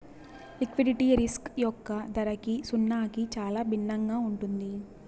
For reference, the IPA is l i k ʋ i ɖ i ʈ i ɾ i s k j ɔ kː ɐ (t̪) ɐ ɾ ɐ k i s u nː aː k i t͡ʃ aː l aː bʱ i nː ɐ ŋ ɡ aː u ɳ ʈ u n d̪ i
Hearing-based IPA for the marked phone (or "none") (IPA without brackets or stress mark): d̪